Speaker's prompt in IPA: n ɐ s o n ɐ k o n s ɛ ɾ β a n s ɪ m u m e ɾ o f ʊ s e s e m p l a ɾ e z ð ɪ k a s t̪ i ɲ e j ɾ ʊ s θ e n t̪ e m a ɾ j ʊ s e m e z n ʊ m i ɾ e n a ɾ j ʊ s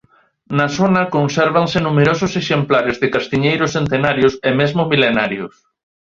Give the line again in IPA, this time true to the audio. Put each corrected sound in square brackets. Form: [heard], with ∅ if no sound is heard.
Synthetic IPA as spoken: n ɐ s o n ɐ k o n s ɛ ɾ β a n s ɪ [n] u m e ɾ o [s] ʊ s e [ʃ] e m p l a ɾ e z ð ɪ k a s t̪ i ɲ e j ɾ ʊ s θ e n t̪ e [n] a ɾ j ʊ s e m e z [m] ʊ m i [l] e n a ɾ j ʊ s